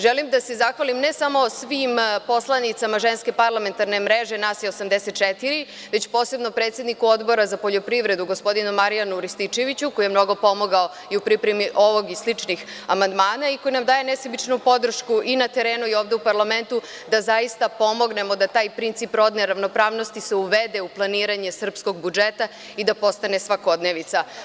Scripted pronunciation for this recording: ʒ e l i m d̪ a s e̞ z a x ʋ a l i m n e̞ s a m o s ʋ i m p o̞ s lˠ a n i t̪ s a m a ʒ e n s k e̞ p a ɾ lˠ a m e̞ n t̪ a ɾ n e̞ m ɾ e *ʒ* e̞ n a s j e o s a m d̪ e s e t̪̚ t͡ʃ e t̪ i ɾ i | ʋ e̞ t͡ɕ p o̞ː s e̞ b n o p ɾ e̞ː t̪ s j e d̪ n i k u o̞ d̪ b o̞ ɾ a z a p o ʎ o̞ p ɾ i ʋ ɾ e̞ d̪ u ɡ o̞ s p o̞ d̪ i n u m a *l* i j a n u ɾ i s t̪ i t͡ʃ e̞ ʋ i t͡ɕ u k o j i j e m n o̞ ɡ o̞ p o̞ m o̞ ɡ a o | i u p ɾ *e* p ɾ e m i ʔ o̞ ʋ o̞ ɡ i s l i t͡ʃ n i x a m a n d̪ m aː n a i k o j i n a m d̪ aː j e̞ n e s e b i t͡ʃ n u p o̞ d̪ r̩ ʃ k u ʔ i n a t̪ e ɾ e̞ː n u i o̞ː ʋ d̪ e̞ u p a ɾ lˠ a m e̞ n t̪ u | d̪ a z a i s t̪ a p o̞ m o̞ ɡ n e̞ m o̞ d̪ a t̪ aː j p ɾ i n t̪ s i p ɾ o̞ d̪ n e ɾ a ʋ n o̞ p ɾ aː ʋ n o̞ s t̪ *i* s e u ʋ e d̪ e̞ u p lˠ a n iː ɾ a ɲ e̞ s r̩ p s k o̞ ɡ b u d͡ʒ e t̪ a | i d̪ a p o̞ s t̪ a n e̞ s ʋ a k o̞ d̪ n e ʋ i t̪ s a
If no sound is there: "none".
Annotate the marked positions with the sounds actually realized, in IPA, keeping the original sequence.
ʒ, ɾ, i, i

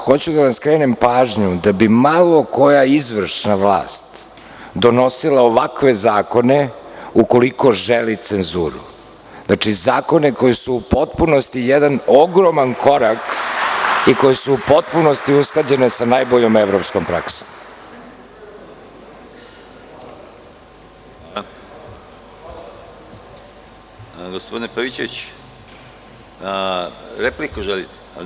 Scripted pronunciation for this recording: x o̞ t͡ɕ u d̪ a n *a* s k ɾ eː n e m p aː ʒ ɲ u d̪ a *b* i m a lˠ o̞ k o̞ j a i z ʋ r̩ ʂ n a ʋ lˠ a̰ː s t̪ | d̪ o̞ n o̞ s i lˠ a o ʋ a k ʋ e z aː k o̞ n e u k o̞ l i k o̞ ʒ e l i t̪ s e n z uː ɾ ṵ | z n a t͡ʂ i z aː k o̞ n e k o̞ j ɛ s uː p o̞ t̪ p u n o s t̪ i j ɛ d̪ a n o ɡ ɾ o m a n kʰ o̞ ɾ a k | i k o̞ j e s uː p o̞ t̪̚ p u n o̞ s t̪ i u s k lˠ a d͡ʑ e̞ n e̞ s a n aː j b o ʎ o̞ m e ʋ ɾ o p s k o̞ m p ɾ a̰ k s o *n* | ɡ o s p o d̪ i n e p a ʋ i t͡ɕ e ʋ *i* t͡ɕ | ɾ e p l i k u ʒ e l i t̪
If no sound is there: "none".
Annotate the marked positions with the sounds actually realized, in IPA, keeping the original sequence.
a, b, m, i

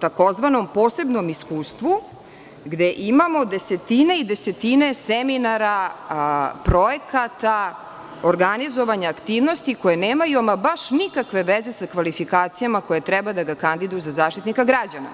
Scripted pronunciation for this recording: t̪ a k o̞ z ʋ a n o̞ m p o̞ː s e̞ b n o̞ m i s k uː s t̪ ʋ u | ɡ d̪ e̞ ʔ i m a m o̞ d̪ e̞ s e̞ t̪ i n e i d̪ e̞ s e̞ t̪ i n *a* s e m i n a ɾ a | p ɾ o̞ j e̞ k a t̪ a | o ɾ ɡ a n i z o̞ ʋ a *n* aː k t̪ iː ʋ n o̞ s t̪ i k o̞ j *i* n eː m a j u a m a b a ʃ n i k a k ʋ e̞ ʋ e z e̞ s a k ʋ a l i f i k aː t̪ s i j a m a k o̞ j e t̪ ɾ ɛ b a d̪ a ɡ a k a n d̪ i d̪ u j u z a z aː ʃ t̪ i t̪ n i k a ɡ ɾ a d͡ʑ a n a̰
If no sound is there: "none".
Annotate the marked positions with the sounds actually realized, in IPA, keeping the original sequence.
e, ɲ, e

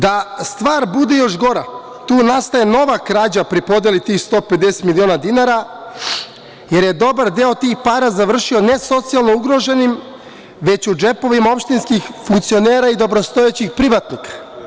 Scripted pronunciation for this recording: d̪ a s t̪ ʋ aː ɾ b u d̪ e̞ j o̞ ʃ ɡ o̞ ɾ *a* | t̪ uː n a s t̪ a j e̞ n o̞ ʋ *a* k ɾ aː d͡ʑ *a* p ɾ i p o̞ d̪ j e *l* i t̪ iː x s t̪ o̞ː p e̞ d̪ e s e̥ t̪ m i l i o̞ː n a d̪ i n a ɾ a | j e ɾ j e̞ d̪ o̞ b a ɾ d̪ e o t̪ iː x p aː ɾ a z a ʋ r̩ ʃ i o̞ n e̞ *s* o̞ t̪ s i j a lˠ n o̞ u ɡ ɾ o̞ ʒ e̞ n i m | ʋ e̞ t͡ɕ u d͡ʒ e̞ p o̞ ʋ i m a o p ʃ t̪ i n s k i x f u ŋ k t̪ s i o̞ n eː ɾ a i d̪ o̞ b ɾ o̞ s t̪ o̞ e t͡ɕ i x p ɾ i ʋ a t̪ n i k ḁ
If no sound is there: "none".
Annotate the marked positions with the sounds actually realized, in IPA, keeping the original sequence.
a, a, a, l, s

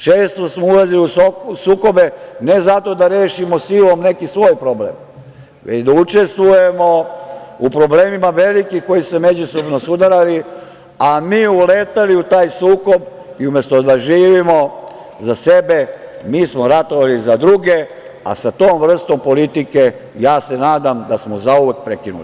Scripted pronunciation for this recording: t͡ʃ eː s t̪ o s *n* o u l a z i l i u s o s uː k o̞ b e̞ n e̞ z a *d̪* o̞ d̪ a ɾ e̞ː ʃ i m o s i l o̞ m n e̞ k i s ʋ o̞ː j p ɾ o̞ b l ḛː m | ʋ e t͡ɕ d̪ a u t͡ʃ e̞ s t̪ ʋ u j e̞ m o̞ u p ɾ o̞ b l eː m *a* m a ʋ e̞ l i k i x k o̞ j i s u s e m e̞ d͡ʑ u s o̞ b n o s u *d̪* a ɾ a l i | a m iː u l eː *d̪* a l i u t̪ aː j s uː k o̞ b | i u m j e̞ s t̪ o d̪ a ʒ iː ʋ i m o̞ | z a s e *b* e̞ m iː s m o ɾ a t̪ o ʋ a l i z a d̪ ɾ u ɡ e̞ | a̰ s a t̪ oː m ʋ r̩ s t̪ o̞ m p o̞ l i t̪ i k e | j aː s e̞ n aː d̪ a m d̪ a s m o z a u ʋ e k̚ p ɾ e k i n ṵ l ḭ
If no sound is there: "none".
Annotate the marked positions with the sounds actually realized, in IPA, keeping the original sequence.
m, t̪, i, d̪, t̪, b

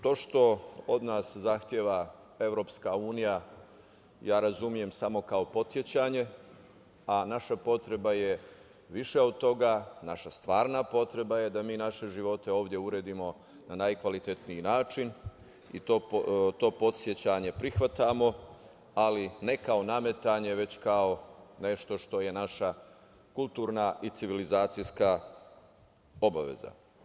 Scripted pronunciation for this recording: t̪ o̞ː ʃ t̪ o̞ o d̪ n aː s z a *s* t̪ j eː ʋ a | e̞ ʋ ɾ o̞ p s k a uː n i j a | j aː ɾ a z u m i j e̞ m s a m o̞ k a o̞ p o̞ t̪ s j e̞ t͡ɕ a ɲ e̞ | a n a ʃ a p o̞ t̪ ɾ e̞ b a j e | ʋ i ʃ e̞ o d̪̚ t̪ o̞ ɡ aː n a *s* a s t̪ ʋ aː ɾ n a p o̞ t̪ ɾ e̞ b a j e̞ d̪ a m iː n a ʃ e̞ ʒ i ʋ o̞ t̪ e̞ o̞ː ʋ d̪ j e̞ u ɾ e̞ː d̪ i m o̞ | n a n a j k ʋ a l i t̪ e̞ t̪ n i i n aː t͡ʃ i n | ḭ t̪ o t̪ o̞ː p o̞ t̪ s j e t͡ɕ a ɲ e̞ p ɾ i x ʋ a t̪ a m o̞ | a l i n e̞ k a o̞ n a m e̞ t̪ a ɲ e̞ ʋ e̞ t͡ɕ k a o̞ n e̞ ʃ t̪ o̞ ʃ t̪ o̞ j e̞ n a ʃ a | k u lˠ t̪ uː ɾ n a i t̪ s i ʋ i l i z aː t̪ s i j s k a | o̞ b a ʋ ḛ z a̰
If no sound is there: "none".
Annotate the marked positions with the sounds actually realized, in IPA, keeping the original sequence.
x, ʃ

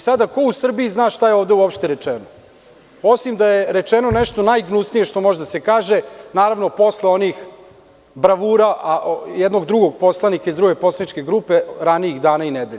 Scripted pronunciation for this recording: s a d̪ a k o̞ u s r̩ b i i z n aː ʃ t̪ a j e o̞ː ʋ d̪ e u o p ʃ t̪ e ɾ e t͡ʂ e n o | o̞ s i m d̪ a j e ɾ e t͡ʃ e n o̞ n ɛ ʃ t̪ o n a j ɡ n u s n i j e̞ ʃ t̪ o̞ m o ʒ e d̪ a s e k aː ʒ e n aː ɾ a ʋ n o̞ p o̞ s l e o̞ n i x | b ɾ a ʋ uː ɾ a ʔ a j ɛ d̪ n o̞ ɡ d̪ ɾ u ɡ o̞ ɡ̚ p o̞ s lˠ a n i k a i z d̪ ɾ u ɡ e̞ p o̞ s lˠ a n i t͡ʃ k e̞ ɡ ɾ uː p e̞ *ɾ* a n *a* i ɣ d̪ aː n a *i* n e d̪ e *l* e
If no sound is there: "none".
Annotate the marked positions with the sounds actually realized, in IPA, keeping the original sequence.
ɾ, i, i, ʎ

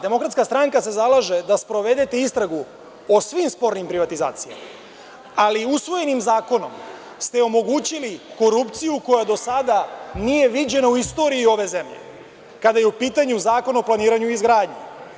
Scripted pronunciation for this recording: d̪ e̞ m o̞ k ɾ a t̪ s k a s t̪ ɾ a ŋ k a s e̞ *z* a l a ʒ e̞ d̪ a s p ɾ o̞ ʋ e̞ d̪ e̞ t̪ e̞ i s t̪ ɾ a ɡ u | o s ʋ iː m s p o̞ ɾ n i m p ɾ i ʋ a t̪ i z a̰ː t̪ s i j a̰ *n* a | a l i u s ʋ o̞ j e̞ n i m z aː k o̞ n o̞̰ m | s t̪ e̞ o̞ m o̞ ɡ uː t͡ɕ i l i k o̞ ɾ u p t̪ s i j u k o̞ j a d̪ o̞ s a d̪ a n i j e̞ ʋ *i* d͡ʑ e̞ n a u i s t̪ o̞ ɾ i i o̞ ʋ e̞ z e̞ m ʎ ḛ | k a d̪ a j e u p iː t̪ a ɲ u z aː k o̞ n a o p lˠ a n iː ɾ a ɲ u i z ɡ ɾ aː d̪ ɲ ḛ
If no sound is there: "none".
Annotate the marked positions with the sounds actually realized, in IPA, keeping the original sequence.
z, m, i

